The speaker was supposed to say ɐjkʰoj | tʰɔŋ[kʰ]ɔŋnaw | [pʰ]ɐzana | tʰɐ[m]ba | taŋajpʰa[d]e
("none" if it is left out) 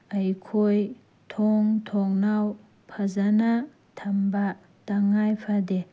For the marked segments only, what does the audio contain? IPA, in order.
tʰ, pʰ, m, d

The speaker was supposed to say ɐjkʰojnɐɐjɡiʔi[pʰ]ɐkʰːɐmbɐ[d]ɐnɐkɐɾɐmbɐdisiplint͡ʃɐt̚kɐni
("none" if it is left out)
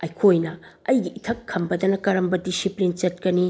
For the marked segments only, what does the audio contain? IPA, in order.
tʰ, d

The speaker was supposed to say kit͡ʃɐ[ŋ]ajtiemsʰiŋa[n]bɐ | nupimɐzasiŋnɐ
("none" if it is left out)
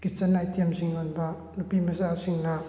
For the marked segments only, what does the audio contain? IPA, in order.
n, n

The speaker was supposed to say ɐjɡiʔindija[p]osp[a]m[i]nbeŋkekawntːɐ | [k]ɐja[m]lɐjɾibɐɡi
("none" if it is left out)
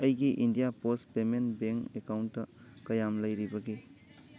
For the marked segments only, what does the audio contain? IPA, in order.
p, e, e, k, m

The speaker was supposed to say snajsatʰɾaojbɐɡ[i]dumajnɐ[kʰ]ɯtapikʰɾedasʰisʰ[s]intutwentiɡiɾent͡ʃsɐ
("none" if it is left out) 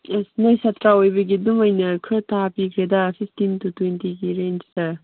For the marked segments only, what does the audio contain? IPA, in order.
i, kʰ, t

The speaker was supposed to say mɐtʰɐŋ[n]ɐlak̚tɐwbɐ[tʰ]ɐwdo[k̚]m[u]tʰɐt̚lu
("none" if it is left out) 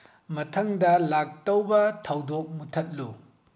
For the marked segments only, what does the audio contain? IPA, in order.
d, tʰ, k̚, u

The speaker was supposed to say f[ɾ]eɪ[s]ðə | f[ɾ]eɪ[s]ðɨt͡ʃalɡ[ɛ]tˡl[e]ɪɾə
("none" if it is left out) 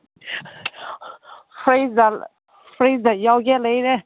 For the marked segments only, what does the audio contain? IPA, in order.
ɹ, z, ɹ, z, ɛ, e

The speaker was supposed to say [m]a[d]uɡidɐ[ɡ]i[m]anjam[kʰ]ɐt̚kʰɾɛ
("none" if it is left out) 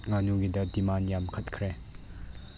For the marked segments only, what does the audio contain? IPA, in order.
ŋ, n, d, m, kʰ

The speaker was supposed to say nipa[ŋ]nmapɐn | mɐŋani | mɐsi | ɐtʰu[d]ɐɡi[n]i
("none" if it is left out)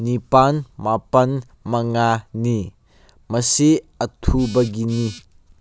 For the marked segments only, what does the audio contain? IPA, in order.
none, b, n

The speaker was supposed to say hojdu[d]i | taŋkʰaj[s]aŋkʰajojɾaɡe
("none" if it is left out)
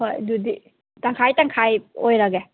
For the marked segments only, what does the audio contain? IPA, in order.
d, t

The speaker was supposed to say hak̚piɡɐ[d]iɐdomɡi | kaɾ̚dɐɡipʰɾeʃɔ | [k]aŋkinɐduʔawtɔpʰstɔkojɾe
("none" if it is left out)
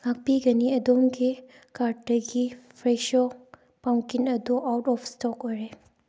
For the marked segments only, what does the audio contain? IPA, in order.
n, p

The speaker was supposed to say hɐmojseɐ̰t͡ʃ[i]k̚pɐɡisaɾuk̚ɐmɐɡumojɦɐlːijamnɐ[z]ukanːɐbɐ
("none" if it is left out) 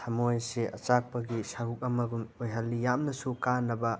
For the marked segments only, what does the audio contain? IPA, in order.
a, s

